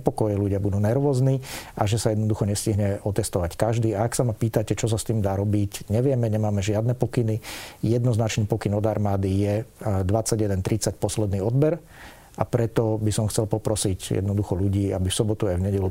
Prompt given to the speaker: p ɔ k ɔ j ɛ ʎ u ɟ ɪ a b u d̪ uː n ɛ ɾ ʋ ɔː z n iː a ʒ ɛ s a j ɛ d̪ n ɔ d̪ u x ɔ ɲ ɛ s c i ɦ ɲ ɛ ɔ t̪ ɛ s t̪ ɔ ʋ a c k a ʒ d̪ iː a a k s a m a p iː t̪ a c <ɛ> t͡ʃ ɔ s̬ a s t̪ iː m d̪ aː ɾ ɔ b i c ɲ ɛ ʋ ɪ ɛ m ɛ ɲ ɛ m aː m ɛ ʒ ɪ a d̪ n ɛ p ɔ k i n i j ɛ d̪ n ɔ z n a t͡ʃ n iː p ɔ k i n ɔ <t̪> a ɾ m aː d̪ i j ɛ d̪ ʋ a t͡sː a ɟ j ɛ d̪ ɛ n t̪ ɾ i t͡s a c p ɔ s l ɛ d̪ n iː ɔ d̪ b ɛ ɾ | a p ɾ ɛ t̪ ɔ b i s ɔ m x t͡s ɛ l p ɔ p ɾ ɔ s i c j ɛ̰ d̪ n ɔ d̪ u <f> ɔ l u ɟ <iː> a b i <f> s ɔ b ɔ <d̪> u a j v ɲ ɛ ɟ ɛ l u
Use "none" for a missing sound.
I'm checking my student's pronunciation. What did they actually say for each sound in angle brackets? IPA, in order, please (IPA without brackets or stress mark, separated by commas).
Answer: ɛ, d̪, x, iː, f, t̪